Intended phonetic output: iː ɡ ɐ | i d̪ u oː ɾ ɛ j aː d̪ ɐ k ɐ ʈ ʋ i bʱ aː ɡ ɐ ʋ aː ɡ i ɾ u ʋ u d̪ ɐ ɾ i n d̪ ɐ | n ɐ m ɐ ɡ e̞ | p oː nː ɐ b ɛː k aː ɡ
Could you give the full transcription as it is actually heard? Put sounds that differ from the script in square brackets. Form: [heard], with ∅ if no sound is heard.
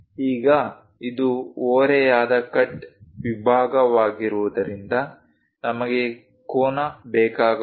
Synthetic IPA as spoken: iː ɡ ɐ | i d̪ u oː ɾ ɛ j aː d̪ ɐ k ɐ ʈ ʋ i bʱ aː ɡ ɐ ʋ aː ɡ i ɾ u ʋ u d̪ ɐ ɾ i n d̪ ɐ | n ɐ m ɐ ɡ e̞ | [k] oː [n] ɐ b ɛː k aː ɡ